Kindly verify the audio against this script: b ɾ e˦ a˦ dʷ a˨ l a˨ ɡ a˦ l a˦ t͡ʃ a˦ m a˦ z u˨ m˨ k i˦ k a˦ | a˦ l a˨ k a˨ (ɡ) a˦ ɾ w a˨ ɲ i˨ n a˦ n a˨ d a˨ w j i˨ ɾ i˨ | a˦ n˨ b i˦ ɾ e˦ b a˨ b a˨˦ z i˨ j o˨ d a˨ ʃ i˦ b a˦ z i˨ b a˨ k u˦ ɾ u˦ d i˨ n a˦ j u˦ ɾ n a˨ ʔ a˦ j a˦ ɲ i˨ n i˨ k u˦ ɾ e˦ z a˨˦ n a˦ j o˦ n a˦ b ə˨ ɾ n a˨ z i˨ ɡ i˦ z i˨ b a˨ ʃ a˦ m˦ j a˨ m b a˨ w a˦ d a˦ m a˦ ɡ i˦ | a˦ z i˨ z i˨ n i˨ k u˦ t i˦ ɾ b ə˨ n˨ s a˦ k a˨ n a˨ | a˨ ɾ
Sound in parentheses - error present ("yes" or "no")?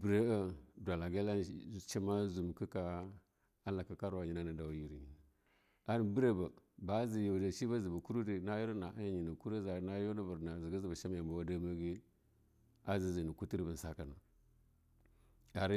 yes